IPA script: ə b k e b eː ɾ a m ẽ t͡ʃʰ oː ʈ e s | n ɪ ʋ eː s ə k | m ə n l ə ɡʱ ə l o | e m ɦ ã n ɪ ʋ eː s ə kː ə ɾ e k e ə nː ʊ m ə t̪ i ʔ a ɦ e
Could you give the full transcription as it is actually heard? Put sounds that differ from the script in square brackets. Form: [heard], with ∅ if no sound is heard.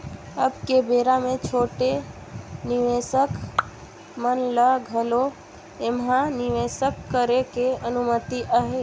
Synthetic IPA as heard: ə b k e b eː ɾ a m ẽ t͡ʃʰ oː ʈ e [∅] | n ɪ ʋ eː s ə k | m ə n l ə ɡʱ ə l o | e m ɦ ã n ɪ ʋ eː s ə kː ə ɾ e k e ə [n] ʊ m ə t̪ i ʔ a ɦ e